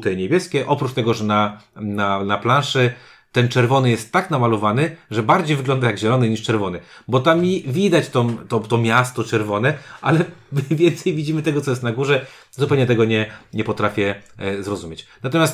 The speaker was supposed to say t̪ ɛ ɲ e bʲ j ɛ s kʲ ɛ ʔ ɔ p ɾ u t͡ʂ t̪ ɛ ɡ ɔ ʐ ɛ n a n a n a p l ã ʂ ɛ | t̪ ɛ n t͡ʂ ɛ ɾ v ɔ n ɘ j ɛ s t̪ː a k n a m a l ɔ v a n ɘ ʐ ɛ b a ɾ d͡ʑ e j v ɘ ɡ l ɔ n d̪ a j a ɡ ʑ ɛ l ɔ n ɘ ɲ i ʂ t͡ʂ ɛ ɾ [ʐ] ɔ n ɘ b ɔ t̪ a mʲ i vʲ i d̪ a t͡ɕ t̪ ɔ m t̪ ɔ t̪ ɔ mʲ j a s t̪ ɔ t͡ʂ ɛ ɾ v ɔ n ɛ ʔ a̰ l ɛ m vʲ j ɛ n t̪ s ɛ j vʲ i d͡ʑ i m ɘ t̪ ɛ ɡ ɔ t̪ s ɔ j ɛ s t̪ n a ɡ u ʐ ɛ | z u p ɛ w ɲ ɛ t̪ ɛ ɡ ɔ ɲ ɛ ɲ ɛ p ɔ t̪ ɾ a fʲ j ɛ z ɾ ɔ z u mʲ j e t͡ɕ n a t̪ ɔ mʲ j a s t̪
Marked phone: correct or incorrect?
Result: incorrect